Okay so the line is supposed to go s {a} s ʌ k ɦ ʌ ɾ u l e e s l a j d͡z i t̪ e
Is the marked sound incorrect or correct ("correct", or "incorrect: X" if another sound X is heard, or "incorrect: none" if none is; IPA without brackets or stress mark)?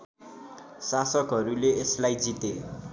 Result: correct